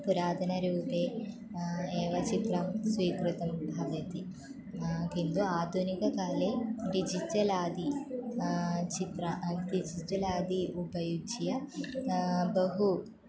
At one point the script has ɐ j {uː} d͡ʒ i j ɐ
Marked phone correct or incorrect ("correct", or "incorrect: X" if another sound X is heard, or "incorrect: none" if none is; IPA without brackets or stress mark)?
incorrect: u